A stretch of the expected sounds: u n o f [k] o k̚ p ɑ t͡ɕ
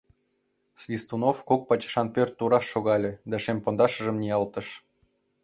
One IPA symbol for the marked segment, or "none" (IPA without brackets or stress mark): k